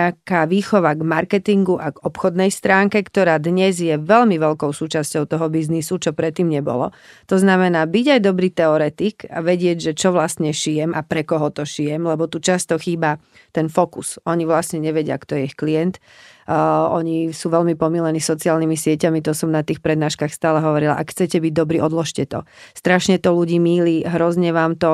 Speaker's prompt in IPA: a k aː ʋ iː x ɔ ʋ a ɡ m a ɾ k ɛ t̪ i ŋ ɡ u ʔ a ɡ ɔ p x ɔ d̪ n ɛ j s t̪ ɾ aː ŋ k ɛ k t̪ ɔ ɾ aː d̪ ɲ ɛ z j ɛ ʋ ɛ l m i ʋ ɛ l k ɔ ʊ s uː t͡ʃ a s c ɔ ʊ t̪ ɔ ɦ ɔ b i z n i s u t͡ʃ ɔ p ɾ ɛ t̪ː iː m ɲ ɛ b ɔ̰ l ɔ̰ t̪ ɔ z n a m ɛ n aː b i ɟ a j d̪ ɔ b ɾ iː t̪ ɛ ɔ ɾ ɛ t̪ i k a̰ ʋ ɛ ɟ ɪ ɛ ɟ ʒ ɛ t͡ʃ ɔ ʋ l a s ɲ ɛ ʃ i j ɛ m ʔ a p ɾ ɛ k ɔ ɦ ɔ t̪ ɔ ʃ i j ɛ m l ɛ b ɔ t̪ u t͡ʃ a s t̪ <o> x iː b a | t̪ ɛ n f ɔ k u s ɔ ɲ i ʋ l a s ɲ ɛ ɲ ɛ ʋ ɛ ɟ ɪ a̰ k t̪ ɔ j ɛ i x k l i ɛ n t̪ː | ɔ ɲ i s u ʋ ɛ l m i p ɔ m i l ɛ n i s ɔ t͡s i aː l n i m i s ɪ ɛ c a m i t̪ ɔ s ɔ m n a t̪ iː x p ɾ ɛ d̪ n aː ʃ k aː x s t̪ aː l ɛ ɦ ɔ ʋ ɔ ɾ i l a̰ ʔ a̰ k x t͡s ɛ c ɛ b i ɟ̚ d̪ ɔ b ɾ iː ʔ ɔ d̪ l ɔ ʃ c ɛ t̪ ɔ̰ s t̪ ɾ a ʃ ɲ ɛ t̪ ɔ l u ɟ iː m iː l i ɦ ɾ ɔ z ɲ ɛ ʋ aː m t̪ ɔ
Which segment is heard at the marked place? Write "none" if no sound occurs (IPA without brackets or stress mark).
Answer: ɔ